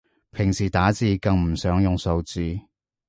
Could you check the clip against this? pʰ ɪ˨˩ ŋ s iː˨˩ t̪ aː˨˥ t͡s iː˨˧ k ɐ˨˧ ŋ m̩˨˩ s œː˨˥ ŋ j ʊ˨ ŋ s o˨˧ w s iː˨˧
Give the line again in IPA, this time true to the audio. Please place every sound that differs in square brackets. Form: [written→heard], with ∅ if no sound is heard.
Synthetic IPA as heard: pʰ ɪ˨˩ ŋ s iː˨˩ t̪ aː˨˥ t͡s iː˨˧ k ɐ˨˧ ŋ m̩˨˩ s œː˨˥ ŋ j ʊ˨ ŋ s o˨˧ w [s→t͡s] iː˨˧